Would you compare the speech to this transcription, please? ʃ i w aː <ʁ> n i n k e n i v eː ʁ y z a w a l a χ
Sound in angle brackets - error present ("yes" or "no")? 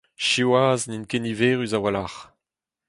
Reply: yes